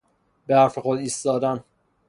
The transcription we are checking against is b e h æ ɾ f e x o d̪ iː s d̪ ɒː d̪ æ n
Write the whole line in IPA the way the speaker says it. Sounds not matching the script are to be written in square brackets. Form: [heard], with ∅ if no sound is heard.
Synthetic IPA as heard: b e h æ ɾ f e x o d̪ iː s [t̪] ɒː d̪ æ n